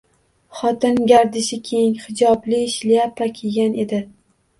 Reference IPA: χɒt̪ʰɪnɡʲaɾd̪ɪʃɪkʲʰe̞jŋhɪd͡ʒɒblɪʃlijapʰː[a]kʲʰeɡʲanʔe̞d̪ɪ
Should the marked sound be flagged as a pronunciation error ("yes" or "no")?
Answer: no